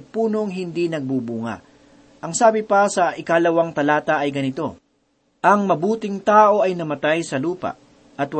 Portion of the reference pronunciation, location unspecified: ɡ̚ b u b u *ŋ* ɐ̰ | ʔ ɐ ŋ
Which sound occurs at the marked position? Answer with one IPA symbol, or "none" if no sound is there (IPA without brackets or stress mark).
ŋ